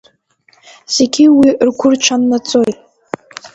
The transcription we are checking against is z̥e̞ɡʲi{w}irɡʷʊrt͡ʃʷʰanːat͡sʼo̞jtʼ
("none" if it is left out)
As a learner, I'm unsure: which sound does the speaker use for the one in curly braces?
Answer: w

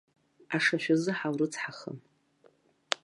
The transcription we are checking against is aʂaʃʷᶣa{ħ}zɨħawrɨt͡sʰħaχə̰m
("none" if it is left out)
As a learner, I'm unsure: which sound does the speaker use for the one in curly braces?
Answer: none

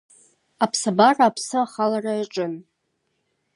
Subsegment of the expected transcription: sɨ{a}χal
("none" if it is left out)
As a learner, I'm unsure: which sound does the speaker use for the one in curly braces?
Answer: a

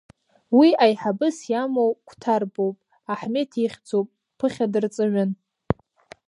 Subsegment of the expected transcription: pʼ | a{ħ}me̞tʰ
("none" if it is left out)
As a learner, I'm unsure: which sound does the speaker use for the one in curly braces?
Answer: ħ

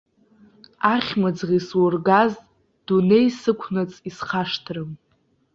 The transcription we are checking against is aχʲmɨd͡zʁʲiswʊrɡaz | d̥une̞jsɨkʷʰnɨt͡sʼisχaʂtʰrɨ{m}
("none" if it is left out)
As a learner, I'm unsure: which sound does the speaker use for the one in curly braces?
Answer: m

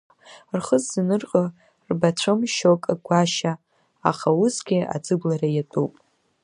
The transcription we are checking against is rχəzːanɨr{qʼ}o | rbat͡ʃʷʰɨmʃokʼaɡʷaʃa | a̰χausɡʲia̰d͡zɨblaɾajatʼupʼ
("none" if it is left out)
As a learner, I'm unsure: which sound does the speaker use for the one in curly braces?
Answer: qʼ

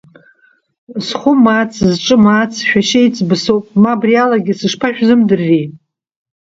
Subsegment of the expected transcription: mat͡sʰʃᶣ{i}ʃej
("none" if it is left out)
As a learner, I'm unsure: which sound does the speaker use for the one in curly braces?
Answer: a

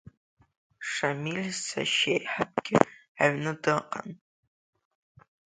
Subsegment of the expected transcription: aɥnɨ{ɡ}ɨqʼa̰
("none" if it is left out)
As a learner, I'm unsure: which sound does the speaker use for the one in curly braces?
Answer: d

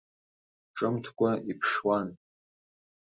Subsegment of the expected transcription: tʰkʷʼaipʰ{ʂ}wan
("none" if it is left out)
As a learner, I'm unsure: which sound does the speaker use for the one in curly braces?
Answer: ʂ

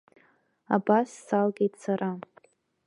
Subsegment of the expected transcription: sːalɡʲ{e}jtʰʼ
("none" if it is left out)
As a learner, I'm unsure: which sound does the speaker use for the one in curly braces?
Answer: e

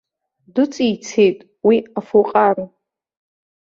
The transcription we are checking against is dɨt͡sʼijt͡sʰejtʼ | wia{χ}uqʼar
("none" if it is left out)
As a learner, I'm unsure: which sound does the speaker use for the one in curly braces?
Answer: f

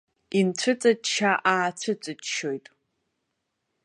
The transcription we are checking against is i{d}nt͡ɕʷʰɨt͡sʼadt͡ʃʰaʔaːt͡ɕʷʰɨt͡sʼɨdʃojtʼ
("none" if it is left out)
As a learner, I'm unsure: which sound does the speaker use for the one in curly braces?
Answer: none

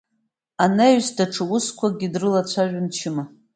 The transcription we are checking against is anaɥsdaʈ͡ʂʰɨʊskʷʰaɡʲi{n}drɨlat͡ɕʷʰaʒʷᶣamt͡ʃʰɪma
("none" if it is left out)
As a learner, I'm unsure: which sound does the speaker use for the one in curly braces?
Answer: none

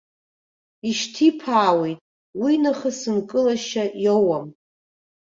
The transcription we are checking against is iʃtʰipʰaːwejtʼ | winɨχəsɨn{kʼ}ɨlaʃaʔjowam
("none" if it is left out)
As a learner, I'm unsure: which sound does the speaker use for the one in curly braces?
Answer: kʼ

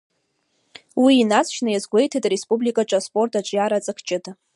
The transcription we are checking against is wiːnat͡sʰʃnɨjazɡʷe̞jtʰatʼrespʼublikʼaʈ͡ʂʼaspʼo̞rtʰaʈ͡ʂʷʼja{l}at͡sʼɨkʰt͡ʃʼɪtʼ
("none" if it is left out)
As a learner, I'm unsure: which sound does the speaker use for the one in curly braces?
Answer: ɾ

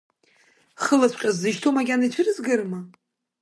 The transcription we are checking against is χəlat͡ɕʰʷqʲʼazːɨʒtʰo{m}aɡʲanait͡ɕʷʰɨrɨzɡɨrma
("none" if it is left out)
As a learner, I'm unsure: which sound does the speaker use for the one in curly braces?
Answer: m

